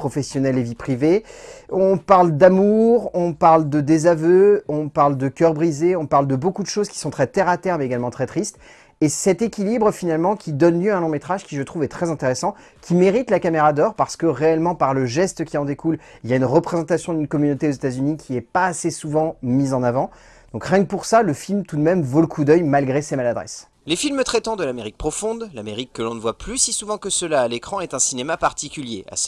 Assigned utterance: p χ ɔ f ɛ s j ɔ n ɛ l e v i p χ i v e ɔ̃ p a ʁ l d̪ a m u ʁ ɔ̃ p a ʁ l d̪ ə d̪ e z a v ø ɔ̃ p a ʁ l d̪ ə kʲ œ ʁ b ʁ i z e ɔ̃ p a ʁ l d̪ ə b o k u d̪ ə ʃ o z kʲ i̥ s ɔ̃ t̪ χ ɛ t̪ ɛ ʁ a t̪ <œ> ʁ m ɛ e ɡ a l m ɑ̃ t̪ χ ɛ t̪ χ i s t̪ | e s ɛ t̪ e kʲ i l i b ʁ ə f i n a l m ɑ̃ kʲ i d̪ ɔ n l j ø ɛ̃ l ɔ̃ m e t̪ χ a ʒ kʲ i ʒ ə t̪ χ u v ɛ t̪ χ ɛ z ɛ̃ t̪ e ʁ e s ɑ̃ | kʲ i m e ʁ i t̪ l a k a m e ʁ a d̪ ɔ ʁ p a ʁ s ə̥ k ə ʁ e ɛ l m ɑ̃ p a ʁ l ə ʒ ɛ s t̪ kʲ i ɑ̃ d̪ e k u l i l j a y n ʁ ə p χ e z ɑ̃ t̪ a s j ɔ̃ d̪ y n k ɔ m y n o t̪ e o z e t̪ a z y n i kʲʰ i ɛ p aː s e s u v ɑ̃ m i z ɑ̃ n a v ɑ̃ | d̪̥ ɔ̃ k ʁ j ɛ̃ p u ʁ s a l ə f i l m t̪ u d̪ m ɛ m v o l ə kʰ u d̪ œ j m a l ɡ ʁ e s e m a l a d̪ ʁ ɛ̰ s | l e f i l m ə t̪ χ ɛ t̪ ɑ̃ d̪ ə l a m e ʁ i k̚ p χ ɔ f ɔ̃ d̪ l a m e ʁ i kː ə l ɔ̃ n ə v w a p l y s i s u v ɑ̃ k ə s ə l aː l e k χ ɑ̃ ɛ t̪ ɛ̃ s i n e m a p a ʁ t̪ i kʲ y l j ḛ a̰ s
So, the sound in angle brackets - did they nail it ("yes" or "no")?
no